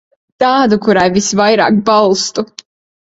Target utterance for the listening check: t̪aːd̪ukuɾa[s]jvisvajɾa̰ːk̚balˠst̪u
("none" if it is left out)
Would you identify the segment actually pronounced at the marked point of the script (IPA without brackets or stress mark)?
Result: none